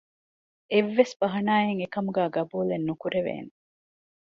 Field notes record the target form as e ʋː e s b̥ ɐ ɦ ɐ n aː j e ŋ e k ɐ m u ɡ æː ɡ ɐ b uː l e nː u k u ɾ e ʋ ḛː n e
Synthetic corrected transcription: e ʋː e s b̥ ɐ ɦ ɐ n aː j e ŋ e k ɐ m u ɡ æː ɡ ɐ b uː l e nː u k u ɾ e ʋ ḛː n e